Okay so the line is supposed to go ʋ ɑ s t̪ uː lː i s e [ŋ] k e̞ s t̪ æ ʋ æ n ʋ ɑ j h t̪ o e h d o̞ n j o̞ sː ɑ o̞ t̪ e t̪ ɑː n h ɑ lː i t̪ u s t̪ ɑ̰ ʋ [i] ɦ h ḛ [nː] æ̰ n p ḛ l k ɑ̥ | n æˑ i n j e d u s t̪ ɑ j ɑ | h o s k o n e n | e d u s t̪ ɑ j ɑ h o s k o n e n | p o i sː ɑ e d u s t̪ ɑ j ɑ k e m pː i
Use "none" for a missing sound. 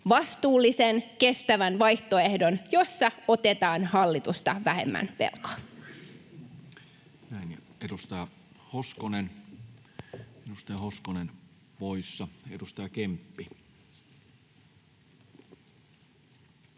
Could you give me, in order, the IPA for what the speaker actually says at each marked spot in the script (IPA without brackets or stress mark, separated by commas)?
n, æ, mː